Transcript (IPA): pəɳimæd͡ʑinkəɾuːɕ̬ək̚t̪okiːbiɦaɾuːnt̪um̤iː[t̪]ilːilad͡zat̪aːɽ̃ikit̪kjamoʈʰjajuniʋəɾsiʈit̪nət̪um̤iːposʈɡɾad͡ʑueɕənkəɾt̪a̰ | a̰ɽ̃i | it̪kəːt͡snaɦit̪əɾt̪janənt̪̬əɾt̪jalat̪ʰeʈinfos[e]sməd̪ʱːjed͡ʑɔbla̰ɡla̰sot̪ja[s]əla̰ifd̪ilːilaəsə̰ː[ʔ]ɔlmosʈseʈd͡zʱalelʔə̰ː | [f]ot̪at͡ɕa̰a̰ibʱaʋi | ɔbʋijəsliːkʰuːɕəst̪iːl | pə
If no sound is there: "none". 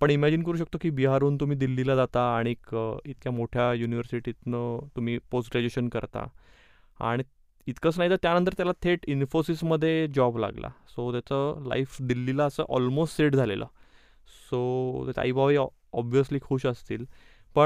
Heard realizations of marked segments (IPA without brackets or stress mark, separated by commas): d̪, i, t͡s, ʔ, s